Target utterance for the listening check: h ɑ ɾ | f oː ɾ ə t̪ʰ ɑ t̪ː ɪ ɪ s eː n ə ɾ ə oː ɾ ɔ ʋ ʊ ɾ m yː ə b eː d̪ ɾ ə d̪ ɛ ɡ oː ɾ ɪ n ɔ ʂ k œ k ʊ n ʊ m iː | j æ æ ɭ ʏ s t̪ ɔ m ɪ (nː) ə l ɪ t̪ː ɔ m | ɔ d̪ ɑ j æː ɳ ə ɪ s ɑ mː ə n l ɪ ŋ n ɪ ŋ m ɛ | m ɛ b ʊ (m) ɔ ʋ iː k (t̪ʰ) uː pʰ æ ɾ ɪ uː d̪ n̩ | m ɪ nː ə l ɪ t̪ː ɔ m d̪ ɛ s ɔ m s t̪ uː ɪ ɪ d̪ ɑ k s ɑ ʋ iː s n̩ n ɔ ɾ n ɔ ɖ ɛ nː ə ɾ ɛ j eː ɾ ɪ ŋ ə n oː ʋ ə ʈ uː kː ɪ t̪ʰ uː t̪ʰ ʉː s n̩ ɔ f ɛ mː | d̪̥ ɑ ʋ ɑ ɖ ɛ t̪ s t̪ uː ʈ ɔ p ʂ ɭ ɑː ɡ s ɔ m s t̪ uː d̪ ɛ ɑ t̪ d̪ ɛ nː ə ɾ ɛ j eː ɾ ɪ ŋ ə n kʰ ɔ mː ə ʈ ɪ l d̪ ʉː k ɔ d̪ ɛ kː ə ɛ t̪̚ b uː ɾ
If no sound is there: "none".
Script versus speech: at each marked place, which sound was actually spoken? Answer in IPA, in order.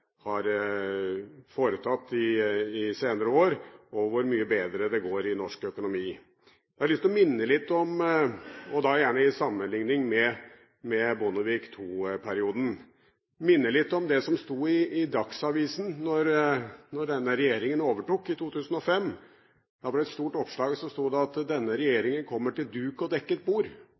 nː, n, t̪ʰ

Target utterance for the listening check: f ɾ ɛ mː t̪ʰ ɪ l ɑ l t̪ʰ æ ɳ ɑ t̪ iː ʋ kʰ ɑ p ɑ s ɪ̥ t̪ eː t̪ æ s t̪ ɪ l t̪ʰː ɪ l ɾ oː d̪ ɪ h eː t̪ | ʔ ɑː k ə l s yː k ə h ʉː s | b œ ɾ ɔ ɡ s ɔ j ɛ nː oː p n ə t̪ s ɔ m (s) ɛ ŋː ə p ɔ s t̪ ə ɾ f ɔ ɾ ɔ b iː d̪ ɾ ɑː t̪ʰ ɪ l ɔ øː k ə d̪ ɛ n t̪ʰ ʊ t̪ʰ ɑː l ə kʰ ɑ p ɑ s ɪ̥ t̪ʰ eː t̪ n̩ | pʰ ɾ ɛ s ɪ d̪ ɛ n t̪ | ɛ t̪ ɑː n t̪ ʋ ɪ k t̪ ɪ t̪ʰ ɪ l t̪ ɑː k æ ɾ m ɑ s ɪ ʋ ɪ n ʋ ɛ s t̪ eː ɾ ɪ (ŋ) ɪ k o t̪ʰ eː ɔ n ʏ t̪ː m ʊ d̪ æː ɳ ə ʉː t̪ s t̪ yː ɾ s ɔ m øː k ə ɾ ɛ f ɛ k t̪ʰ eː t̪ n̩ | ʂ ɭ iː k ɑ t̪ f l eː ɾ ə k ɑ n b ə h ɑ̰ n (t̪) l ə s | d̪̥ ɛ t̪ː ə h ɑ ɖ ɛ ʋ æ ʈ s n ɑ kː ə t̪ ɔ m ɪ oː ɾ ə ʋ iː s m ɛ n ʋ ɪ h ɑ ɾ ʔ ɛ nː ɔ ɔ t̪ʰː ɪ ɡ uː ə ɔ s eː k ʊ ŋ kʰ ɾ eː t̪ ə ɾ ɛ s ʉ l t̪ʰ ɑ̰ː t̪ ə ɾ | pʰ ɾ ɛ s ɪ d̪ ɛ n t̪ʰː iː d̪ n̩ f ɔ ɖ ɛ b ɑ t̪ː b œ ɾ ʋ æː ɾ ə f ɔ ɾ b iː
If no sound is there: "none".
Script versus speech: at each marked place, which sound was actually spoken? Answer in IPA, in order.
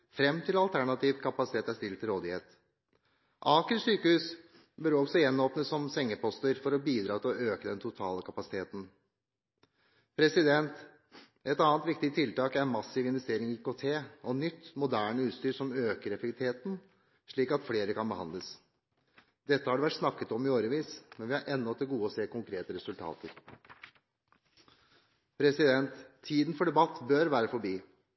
s, ŋ, d̪

